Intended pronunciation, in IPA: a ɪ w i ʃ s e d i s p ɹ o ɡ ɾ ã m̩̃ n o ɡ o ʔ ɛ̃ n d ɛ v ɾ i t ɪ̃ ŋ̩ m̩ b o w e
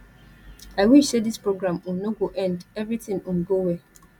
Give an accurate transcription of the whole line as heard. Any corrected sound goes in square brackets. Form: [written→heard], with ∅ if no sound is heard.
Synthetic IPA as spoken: a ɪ w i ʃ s e d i s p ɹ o ɡ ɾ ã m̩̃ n o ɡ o ʔ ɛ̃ n d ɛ v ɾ i t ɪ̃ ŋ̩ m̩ [b→ɡ] o w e

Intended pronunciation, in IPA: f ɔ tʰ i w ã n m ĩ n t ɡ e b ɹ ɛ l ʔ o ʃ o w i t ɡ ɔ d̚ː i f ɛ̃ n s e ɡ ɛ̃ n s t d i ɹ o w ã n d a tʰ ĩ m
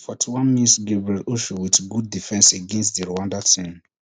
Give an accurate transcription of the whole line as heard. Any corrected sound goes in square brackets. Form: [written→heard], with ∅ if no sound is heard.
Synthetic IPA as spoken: f ɔ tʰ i w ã n m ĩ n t ɡ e b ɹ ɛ l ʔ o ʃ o w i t ɡ [ɔ→u] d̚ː i f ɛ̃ n s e ɡ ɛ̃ n s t d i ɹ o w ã n d a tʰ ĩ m

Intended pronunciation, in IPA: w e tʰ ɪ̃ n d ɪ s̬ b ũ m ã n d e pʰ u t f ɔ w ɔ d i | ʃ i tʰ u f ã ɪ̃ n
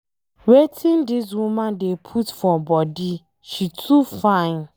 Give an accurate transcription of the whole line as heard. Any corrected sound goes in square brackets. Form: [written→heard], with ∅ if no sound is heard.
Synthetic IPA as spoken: w e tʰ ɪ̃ n d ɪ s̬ [b→w] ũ m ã n d e pʰ u t f ɔ [w→b] ɔ d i | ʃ i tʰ u f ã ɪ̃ n

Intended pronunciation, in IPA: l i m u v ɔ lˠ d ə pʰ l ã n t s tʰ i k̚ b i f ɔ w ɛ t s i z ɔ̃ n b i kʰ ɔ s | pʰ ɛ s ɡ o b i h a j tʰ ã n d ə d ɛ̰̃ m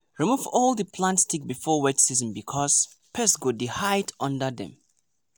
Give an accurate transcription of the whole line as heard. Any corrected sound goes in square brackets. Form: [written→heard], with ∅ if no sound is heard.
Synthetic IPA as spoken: [l→ɹ] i m u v ɔ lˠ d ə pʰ l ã n t s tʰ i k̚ b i f ɔ w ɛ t s i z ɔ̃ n b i kʰ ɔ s | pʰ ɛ s ɡ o [b→d] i h a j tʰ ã n d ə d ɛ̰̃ m

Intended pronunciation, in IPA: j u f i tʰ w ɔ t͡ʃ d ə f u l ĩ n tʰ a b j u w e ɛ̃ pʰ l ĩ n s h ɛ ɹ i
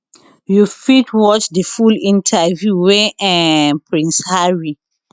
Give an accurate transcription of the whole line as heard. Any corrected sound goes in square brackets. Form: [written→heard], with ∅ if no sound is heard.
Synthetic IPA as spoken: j u f i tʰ w ɔ t͡ʃ d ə f u l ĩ n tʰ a [b→v] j u w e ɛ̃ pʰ [l→ɹ] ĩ n s h [ɛ→a] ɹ i

